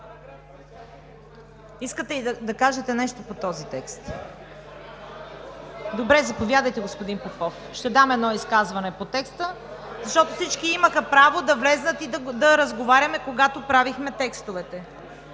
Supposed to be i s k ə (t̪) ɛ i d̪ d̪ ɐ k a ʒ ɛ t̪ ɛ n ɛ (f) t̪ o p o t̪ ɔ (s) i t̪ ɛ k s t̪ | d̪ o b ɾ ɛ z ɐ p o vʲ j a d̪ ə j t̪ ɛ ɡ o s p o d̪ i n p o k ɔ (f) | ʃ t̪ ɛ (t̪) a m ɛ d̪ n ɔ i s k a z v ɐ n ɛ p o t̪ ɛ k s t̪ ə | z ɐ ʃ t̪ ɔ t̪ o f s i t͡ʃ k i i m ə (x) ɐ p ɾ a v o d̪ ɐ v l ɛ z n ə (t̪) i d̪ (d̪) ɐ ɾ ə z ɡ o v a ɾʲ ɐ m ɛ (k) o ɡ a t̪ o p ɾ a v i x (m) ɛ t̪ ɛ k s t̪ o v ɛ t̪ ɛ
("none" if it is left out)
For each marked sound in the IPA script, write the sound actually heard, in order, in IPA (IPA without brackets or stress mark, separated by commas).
t̪, ʃ, z, f, d̪, x, t̪, d̪, k, m